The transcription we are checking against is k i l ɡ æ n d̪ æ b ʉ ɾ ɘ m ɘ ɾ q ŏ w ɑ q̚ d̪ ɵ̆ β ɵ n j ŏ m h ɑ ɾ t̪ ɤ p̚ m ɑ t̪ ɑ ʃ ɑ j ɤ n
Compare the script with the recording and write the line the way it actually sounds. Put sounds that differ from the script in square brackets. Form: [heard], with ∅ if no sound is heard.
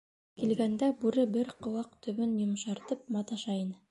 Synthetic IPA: k i l ɡ æ n d̪ æ b ʉ ɾ ɘ [b] ɘ ɾ q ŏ w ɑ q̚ [t̪] ɵ̆ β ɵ n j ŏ m [ʃ] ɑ ɾ t̪ ɤ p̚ m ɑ t̪ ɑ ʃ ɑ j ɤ n